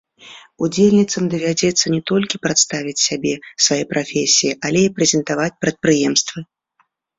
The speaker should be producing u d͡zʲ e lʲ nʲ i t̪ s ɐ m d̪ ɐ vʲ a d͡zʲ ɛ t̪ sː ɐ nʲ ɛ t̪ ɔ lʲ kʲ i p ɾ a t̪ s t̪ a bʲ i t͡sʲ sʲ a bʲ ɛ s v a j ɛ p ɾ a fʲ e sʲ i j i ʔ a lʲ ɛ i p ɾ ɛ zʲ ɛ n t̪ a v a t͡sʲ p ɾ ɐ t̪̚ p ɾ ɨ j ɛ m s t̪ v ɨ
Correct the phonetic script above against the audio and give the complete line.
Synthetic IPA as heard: u d͡zʲ e lʲ nʲ i t̪ s ɐ m d̪ ɐ vʲ a d͡zʲ ɛ t̪ sː ɐ nʲ ɛ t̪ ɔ lʲ kʲ i p ɾ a t̪ s t̪ a vʲ i t͡sʲ sʲ a bʲ ɛ s v a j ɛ p ɾ a fʲ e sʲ i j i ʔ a lʲ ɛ i p ɾ ɛ zʲ ɛ n t̪ a v a t͡sʲ p ɾ ɐ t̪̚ p ɾ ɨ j ɛ m s t̪ v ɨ